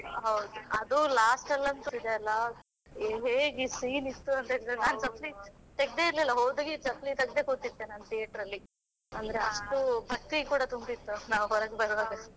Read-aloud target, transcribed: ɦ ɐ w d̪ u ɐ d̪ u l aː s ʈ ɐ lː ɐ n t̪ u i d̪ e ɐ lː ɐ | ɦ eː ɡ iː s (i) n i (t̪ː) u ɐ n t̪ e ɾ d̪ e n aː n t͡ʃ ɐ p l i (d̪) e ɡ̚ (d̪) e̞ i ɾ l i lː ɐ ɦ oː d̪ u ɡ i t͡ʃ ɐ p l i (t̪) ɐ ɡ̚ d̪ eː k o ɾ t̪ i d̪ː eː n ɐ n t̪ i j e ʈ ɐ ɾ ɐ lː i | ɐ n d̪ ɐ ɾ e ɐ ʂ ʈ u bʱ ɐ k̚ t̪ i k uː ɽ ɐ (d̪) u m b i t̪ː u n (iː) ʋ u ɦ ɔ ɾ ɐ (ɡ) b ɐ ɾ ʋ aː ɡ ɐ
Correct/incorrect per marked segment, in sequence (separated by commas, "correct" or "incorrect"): incorrect, correct, incorrect, correct, correct, incorrect, incorrect, correct